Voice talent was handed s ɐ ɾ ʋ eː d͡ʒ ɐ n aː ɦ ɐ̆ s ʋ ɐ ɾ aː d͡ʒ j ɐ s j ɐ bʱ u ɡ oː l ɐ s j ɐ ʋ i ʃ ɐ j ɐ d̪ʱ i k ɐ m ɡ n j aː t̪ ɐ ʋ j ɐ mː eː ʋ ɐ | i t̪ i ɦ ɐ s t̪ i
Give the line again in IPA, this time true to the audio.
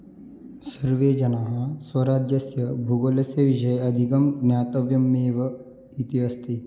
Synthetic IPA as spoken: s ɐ ɾ ʋ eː d͡ʒ ɐ n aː ɦ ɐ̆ s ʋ ɐ ɾ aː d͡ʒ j ɐ s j ɐ bʱ u ɡ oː l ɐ s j ɐ ʋ i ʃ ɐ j ɐ d̪ʱ i k ɐ m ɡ n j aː t̪ ɐ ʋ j ɐ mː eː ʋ ɐ | i t̪ i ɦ ɐ s t̪ i

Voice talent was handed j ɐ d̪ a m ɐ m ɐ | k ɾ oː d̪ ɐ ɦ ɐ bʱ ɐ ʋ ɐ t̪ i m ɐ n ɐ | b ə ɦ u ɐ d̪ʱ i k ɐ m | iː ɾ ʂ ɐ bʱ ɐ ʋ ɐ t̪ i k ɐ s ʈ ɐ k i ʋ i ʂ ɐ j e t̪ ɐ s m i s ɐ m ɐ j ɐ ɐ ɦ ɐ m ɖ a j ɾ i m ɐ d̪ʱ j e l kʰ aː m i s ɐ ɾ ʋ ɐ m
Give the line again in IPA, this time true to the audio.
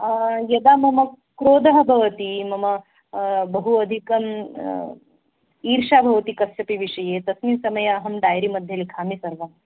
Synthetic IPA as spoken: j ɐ d̪ a m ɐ m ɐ | k ɾ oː d̪ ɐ ɦ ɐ bʱ ɐ ʋ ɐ t̪ i m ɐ m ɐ | b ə ɦ u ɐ d̪ʱ i k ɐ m | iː ɾ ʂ a bʱ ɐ ʋ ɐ t̪ i k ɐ s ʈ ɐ p i ʋ i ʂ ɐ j e t̪ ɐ s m i s ɐ m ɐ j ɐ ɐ ɦ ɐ m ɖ a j ɾ i m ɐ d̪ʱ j e l kʰ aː m i s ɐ ɾ ʋ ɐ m

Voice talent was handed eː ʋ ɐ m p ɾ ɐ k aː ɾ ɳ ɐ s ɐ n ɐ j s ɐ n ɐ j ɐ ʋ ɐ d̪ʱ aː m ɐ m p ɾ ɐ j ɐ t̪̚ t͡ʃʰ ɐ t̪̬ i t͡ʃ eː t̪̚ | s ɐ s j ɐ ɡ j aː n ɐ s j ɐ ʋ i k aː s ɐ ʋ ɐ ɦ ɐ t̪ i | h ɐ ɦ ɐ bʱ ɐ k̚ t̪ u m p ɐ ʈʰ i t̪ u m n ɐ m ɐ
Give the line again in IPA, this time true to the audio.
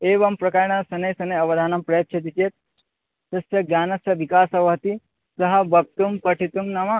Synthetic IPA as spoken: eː ʋ ɐ m p ɾ ɐ k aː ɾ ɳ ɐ s ɐ n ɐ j s ɐ n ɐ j ɐ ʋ ɐ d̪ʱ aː n ɐ m p ɾ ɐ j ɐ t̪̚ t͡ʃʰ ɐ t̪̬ i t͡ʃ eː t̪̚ | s ɐ s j ɐ ɡ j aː n ɐ s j ɐ ʋ i k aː s ɐ ʋ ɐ ɦ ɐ t̪ i | s ɐ ɦ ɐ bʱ ɐ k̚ t̪ u m p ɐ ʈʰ i t̪ u m n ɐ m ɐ

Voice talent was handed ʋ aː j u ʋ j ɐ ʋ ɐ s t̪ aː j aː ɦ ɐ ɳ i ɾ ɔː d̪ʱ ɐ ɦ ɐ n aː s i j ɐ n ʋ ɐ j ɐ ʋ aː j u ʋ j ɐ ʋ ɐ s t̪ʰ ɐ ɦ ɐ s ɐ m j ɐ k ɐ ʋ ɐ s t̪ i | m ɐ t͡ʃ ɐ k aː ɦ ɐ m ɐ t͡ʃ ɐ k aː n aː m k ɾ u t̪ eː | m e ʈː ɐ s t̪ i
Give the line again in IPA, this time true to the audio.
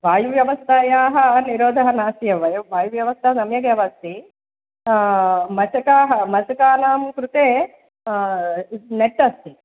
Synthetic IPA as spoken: ʋ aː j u ʋ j ɐ ʋ ɐ s t̪ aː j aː ɦ ɐ n i ɾ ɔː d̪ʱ ɐ ɦ ɐ n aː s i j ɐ ʋ ɐ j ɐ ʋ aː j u ʋ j ɐ ʋ ɐ s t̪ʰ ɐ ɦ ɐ s ɐ m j ɐ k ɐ ʋ ɐ s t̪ i | m ɐ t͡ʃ ɐ k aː ɦ ɐ m ɐ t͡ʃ ɐ k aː n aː m k ɾ u t̪ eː | n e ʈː ɐ s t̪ i

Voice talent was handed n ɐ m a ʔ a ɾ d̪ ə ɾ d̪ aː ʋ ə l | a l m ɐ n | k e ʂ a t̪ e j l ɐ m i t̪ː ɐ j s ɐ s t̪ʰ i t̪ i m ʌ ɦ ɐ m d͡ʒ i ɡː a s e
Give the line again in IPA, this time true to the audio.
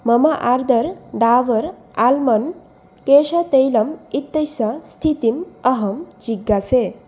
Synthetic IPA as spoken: m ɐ m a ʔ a ɾ d̪ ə ɾ d̪ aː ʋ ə ɾ | a l m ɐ n | k e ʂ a t̪ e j l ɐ m i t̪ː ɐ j s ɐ s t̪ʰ i t̪ i m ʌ ɦ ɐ m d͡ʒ i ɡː a s e

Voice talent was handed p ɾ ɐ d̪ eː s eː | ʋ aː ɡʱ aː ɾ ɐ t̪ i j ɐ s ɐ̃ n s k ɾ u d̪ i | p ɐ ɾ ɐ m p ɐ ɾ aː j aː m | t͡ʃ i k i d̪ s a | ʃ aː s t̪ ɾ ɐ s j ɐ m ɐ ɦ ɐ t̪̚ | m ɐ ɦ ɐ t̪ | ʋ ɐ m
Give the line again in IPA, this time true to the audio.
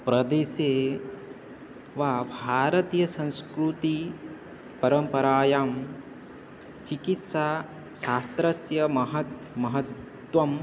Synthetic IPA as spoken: p ɾ ɐ d̪ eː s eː | ʋ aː bʱ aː ɾ ɐ t̪ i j ɐ s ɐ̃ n s k ɾ u t̪ i | p ɐ ɾ ɐ m p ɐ ɾ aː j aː m | t͡ʃ i k i t̪ s a | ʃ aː s t̪ ɾ ɐ s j ɐ m ɐ ɦ ɐ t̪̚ | m ɐ ɦ ɐ t̪ | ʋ ɐ m

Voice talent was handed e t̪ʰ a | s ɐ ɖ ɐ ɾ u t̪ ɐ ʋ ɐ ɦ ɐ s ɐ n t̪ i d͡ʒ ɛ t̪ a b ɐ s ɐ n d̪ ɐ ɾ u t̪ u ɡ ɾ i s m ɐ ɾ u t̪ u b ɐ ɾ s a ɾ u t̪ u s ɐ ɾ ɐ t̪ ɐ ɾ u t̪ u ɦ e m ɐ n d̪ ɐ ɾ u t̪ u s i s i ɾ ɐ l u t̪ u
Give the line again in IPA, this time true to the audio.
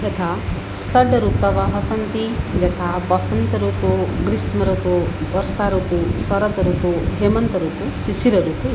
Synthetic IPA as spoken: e t̪ʰ a | s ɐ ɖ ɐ ɾ u t̪ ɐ ʋ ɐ ɦ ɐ s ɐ n t̪ i d͡ʒ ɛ t̪ʰ a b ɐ s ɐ n t̪ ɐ ɾ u t̪ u ɡ ɾ i s m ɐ ɾ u t̪ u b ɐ ɾ s a ɾ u t̪ u s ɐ ɾ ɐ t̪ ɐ ɾ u t̪ u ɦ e m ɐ n t̪ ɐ ɾ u t̪ u s i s i ɾ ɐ ɾ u t̪ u

